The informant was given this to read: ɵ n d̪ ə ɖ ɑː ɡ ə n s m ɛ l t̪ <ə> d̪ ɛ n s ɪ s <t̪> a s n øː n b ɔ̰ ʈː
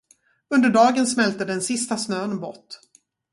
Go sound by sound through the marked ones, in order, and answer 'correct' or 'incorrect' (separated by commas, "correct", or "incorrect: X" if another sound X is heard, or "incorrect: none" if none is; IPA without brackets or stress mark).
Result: correct, correct